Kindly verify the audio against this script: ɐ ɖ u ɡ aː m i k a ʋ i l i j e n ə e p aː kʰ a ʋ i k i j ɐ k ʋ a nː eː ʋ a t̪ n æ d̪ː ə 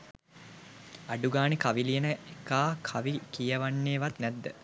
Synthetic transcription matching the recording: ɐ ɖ u ɡ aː n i k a ʋ i l i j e n ə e k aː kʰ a ʋ i k i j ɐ ʋ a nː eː ʋ a t̪ n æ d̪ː ə

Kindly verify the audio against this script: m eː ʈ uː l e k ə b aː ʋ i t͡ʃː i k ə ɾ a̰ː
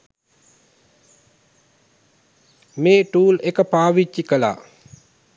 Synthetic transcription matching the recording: m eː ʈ uː l e k ə p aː ʋ i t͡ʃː i k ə l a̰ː

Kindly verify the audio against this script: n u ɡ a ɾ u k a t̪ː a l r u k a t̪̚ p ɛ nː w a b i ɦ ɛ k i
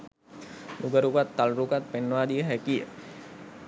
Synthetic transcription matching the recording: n u ɡ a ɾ u k a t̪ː a l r u k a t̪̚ p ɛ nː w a d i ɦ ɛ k i

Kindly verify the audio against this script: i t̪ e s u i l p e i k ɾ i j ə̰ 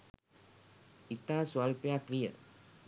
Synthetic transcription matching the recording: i t̪ a s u a l p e a k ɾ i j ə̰

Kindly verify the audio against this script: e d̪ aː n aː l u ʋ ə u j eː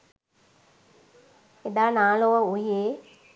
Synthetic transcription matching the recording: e d̪ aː n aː l o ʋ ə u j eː

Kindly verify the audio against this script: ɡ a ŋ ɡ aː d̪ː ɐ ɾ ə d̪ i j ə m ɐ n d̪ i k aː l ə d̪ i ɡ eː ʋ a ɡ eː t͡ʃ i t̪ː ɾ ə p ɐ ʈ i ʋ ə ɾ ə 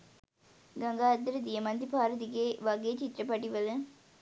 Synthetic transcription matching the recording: ɡ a ŋ ɡ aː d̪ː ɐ ɾ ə d̪ i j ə m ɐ n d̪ i p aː ɾ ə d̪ i ɡ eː ʋ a ɡ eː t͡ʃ i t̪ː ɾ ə p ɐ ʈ i ʋ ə l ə

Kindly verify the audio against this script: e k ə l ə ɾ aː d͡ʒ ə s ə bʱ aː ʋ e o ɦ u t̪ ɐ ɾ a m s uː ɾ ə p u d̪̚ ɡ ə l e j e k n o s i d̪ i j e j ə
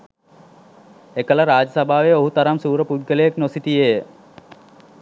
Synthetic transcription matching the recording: e k ə l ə ɾ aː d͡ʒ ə s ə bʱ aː ʋ e o ɦ u t̪ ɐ ɾ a m s uː ɾ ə p u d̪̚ ɡ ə l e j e k n o s i t̪ i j e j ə

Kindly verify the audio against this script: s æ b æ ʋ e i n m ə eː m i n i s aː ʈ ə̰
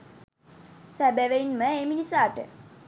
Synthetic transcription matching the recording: s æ b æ ʋ e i n m ə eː m i n i s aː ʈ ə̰

